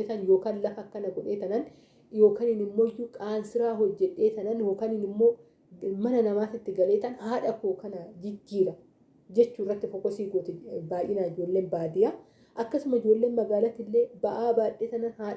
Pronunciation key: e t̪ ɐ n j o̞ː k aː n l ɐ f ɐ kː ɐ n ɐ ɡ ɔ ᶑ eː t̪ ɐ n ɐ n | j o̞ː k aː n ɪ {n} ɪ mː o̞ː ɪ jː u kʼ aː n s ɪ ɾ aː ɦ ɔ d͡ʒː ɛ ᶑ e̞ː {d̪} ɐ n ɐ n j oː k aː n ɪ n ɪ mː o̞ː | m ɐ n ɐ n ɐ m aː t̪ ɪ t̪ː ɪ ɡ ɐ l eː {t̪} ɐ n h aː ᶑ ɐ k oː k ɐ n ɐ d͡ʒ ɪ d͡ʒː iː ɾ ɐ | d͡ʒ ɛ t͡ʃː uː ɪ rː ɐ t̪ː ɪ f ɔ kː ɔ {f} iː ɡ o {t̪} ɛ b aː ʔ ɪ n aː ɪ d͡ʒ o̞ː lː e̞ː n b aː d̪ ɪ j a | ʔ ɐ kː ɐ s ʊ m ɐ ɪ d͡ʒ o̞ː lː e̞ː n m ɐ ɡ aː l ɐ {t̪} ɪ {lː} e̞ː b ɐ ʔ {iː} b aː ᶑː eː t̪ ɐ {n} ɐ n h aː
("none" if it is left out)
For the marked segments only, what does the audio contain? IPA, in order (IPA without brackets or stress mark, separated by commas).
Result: n, t̪, t̪, s, t̪, t̪, lː, aː, n